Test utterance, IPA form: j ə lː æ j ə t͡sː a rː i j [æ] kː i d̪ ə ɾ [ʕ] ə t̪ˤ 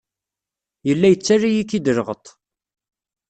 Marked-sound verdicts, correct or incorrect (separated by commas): incorrect, incorrect